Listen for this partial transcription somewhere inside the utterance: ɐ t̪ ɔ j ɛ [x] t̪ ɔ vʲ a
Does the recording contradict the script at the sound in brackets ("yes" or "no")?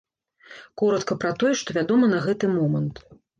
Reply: yes